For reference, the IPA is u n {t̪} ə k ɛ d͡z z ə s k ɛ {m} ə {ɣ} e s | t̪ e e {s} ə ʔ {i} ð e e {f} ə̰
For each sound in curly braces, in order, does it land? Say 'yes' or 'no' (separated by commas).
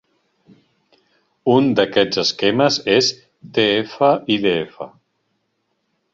no, yes, no, no, yes, yes